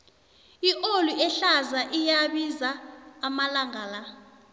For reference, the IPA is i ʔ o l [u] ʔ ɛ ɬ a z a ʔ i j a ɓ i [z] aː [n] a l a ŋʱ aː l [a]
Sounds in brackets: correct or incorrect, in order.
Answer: correct, correct, incorrect: m, correct

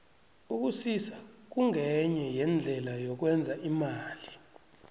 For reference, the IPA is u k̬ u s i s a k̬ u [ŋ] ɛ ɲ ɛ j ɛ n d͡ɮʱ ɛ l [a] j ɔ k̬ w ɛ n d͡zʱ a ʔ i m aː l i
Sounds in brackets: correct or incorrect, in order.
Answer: correct, correct

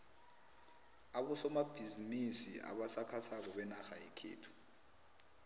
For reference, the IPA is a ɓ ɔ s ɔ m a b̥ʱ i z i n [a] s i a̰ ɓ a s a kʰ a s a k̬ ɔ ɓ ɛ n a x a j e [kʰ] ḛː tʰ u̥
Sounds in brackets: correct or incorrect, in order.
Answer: incorrect: i, correct

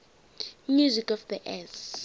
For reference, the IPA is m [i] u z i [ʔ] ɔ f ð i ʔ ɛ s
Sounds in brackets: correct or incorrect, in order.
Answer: incorrect: j, incorrect: k

